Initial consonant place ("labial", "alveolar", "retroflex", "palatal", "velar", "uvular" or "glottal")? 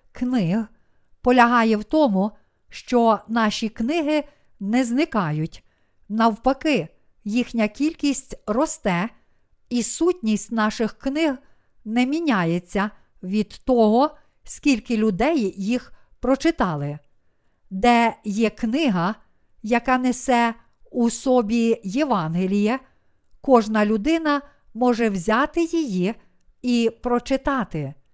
velar